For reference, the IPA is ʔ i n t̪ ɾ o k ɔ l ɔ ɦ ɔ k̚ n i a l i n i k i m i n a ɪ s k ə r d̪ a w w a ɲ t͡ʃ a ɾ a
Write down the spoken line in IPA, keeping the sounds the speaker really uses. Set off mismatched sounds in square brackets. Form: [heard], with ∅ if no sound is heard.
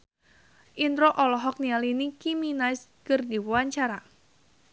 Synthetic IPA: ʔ i n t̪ ɾ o [ʔ] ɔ l ɔ ɦ ɔ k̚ n i a l i n i k i m i n a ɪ s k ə r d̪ [i] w w a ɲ t͡ʃ a ɾ a